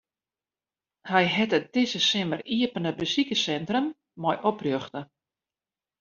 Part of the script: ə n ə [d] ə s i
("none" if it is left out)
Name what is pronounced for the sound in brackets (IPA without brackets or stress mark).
b